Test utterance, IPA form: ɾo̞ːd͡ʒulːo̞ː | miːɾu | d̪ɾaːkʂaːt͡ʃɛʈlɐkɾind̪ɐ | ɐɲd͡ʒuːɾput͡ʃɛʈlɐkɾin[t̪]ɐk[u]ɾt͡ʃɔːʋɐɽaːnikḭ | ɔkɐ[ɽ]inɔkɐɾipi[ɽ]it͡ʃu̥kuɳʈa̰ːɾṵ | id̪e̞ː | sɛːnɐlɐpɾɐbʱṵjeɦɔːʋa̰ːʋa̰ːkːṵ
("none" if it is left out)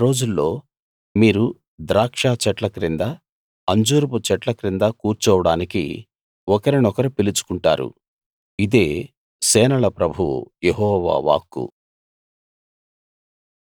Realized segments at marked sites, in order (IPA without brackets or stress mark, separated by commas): d̪, uː, ɾ, l